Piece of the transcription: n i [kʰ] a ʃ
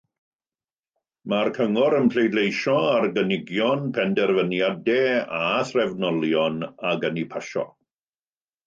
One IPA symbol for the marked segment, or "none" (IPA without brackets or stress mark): pʰ